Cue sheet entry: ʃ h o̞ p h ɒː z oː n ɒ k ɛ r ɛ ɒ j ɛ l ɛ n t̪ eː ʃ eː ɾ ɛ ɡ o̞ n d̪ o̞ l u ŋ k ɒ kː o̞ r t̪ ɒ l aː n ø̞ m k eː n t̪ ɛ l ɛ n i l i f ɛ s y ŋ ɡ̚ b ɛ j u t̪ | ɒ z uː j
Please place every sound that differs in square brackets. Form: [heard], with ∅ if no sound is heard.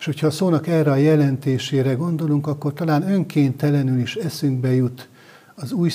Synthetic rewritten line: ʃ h o̞ [c] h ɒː [s] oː n ɒ k ɛ r ɛ ɒ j ɛ l ɛ n t̪ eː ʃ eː ɾ ɛ ɡ o̞ n d̪ o̞ l u ŋ k ɒ kː o̞ r t̪ ɒ l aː n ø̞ [ŋ] k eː n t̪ ɛ l ɛ n [y] l i [ʃ] ɛ s y ŋ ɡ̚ b ɛ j u t̪ | ɒ z uː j